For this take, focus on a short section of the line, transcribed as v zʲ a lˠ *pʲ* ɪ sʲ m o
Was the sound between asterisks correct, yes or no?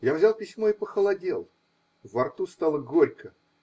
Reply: yes